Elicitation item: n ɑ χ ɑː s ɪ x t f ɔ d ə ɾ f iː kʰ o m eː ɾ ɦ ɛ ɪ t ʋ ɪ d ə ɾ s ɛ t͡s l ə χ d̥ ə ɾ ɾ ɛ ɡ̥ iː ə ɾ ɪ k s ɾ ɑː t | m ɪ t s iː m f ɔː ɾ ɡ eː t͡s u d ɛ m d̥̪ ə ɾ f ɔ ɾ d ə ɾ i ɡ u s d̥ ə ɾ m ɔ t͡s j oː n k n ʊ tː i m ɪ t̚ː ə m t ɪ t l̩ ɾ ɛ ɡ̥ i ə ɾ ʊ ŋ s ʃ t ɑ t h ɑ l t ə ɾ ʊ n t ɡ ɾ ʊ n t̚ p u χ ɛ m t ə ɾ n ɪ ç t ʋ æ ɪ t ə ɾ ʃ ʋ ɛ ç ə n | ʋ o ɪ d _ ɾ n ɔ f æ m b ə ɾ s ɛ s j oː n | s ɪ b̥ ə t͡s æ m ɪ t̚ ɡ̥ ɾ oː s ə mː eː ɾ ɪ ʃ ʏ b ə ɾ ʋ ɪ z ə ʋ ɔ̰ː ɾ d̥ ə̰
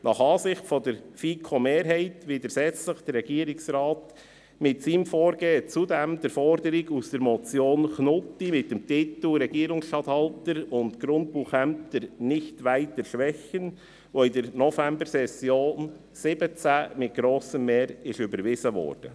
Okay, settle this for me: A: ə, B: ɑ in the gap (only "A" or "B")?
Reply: A